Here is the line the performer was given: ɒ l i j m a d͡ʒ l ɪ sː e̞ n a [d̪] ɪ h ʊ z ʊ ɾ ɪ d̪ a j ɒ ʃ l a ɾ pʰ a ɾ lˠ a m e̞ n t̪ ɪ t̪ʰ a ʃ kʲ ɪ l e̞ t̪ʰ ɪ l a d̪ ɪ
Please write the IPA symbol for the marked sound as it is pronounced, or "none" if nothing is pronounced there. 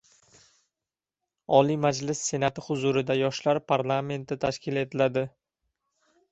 t̪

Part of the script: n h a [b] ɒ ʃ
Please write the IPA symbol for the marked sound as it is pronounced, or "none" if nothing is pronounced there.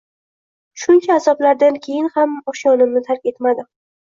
m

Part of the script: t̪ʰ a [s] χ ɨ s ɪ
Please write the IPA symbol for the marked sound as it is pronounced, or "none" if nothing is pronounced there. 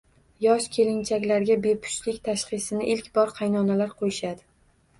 ʃ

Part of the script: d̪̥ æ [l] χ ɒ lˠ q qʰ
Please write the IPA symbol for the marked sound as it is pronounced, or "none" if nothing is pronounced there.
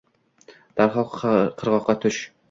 ɾ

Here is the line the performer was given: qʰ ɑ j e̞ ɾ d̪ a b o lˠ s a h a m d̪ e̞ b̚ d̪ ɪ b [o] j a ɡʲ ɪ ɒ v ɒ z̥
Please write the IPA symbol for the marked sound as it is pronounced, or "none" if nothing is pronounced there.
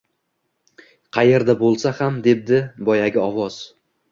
ɒ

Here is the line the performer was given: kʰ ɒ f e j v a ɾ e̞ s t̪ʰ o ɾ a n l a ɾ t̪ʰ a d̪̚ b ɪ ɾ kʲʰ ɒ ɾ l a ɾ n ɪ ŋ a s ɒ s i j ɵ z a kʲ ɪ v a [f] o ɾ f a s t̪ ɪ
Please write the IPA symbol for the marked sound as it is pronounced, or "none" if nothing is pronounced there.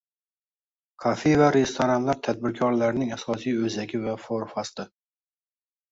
f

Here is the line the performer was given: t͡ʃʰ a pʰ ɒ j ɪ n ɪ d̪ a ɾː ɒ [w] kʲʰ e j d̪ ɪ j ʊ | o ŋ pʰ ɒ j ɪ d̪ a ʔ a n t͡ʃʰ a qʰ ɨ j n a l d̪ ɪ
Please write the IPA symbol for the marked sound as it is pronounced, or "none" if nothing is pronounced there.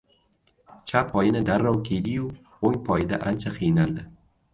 w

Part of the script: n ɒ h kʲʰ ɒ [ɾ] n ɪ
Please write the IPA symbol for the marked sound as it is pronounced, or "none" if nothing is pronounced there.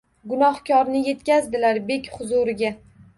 ɾ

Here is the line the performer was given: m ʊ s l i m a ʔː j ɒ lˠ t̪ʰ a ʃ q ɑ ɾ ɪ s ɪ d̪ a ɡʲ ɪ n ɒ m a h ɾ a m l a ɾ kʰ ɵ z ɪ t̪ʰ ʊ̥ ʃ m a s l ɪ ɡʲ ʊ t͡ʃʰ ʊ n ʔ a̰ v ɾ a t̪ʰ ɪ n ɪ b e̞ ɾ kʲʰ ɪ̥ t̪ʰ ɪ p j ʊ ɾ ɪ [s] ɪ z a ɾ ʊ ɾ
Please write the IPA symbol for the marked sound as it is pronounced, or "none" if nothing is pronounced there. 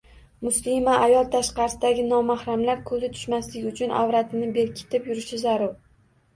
ʃ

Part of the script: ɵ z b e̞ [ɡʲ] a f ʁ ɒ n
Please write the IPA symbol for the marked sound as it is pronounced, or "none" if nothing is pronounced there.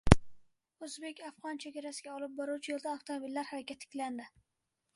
kʲ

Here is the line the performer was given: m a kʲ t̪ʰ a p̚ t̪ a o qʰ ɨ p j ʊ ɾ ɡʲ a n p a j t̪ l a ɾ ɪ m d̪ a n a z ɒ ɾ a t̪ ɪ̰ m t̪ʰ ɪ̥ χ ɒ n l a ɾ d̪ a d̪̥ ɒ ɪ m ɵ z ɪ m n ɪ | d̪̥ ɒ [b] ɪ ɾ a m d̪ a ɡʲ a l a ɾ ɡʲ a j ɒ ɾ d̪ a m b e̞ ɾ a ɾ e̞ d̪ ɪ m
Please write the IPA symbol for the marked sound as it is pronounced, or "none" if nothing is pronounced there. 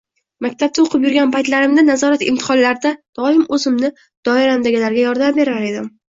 none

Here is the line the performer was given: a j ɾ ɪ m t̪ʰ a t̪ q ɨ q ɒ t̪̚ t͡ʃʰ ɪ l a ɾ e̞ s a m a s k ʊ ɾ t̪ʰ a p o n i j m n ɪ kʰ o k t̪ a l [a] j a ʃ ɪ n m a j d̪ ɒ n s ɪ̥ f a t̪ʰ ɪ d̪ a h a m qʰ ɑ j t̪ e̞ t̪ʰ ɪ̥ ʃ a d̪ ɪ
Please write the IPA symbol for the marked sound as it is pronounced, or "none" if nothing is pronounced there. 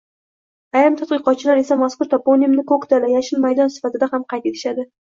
a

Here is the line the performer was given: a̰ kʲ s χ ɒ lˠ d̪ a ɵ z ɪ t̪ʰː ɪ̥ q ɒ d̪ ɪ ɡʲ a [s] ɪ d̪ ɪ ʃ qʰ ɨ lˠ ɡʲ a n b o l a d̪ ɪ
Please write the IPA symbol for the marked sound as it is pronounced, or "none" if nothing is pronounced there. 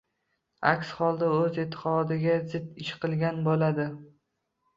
z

